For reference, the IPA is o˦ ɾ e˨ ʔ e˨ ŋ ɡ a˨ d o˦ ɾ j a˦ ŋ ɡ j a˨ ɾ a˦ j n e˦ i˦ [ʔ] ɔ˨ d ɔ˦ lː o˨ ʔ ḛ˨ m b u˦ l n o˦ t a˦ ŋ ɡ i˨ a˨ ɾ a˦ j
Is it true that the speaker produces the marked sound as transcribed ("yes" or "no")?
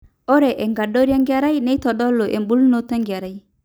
no